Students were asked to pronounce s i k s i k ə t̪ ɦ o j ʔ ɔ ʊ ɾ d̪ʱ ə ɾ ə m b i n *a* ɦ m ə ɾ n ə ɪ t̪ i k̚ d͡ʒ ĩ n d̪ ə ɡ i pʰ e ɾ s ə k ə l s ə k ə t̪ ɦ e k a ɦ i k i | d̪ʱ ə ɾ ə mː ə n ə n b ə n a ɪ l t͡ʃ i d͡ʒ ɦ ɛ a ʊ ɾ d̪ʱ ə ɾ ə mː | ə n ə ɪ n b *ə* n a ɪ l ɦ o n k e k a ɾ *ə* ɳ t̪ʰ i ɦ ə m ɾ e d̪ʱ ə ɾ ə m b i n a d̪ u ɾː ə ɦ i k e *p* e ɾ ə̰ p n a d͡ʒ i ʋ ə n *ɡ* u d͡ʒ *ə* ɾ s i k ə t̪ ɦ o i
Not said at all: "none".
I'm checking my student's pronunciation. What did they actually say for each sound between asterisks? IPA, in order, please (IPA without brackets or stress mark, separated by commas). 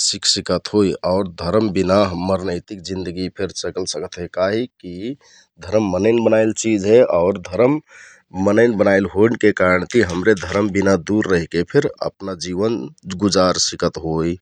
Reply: a, ə, ə, pʰ, ɡ, a